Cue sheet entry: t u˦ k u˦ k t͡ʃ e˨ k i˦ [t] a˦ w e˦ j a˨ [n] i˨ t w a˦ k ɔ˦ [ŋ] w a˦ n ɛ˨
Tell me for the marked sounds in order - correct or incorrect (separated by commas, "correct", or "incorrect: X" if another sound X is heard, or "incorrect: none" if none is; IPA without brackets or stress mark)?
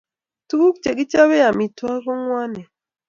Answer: incorrect: t͡ʃ, incorrect: m, correct